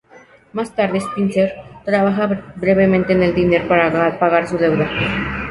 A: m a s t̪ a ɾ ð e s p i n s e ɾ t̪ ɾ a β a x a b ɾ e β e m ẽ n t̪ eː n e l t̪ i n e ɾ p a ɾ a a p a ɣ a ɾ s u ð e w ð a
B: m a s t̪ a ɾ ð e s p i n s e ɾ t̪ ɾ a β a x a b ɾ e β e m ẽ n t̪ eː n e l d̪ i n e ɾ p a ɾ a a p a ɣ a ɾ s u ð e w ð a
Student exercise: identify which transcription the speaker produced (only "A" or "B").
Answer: B